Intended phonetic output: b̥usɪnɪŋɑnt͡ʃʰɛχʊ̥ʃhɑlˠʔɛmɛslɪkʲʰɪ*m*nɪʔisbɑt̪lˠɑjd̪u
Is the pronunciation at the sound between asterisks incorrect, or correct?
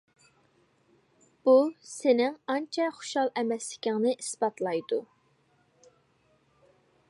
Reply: incorrect: ŋ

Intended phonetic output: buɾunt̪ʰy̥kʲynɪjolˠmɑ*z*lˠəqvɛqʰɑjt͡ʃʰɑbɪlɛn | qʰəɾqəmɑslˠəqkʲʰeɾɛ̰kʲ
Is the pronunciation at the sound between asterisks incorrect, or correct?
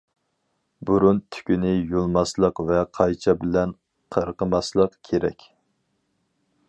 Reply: incorrect: s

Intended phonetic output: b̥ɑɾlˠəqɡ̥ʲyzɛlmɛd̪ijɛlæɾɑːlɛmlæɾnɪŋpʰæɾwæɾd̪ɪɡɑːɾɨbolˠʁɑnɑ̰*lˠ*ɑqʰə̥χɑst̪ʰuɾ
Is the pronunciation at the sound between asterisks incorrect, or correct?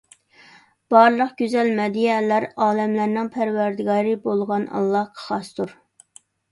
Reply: incorrect: lˠː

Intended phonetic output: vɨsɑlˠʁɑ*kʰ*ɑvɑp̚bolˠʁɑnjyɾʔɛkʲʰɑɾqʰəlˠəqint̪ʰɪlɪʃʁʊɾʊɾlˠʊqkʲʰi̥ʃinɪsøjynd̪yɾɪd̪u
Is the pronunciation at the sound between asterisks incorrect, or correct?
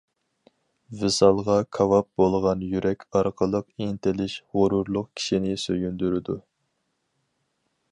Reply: correct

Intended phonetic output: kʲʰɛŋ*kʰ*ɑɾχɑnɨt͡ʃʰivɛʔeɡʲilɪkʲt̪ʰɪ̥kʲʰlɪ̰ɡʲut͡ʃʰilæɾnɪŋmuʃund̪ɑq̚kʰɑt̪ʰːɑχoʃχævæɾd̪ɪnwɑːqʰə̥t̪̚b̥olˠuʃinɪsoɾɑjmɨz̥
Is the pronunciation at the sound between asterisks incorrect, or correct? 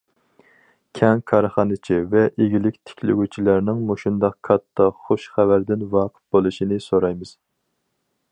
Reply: correct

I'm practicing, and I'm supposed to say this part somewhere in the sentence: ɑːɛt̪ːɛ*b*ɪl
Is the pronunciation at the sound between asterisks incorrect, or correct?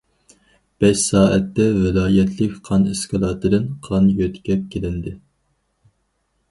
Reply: incorrect: v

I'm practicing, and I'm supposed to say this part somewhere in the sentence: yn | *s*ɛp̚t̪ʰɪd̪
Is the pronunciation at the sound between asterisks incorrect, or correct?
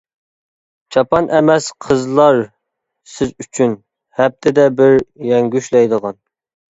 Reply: incorrect: h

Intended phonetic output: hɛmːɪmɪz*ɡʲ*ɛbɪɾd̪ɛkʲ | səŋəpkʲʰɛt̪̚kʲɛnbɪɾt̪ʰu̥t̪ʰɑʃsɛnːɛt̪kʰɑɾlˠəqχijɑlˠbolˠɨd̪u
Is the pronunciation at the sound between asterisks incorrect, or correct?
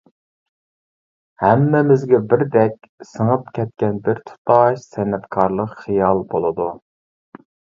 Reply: correct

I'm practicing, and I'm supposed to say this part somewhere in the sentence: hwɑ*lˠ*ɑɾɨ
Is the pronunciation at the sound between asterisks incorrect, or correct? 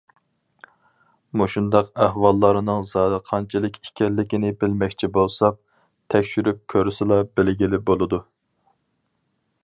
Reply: incorrect: lˠː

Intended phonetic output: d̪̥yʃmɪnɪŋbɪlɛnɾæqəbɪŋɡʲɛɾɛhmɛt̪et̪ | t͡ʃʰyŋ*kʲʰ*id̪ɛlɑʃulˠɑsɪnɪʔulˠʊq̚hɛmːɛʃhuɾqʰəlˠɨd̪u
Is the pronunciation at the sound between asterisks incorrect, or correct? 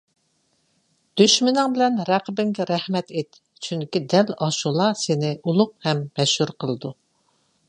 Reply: incorrect: kʲ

